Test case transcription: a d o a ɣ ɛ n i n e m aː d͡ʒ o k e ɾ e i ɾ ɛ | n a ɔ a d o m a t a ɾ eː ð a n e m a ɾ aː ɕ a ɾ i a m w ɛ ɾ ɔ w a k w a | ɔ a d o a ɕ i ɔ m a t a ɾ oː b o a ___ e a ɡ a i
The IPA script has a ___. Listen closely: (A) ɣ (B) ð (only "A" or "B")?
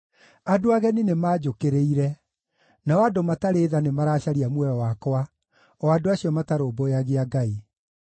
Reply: A